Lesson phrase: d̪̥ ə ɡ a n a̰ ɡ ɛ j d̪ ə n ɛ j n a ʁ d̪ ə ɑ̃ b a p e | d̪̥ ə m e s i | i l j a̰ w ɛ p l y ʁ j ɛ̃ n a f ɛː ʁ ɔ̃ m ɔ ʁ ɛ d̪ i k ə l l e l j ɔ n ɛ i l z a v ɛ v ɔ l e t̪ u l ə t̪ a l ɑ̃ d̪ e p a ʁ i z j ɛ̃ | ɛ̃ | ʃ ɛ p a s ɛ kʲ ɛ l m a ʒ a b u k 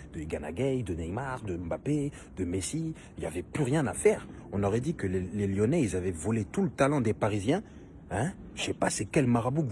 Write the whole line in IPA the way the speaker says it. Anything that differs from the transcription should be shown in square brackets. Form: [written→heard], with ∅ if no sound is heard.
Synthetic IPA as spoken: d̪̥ ə ɡ a n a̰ ɡ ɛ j d̪ ə n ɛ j [n→m] a ʁ d̪ ə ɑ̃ b a p e | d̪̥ ə m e s i | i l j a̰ [w→v] ɛ p l y ʁ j ɛ̃ n a f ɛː ʁ ɔ̃ [m→n] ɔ ʁ ɛ d̪ i k ə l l e l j ɔ n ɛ i l z a v ɛ v ɔ l e t̪ u l ə t̪ a l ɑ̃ d̪ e p a ʁ i z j ɛ̃ | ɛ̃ | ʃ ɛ p a s ɛ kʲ ɛ l m a [ʒ→ʁ] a b u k